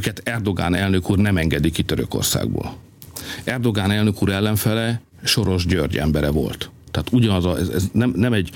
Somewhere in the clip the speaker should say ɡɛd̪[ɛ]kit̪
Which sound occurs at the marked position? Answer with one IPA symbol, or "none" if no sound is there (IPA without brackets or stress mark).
i